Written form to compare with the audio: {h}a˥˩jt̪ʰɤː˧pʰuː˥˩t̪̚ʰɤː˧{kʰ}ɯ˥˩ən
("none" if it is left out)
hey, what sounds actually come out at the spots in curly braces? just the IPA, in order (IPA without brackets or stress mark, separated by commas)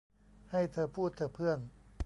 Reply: h, pʰ